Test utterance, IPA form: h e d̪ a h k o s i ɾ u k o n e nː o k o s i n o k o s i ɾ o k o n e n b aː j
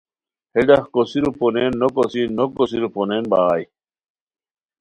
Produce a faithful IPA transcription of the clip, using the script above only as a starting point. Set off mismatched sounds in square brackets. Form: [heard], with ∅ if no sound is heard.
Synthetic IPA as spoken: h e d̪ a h k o s i ɾ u [p] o n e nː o k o s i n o k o s i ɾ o [p] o n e n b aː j